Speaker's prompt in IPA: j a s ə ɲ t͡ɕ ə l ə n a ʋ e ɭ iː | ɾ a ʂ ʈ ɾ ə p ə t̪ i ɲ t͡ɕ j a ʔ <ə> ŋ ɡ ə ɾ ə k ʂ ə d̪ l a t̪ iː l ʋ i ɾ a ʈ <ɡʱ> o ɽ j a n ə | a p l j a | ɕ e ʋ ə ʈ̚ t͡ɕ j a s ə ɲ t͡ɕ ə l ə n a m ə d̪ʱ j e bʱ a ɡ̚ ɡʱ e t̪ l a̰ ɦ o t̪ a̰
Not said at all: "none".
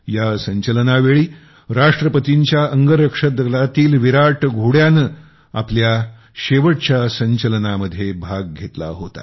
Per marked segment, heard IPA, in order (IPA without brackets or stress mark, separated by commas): ə, ɡʱ